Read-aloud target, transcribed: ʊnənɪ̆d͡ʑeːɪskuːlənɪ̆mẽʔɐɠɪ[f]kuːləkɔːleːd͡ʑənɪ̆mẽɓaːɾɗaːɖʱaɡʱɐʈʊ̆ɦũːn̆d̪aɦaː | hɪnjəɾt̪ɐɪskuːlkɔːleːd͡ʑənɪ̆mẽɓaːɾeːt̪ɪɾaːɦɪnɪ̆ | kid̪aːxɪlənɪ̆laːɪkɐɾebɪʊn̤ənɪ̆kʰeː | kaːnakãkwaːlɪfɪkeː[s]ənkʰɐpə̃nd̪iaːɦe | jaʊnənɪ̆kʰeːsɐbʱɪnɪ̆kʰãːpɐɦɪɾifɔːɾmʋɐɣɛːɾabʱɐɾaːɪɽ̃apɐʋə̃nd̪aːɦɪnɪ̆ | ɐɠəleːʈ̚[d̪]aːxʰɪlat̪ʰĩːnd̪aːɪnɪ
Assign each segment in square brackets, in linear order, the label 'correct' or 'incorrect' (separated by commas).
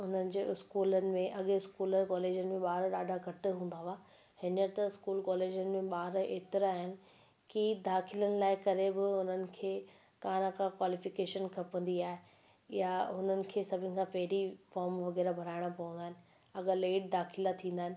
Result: incorrect, incorrect, correct